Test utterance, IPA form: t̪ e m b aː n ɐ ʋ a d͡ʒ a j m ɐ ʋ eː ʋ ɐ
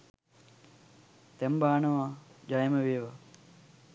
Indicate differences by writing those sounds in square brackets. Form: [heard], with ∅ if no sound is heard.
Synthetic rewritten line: t̪ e m b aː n ɐ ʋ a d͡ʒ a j m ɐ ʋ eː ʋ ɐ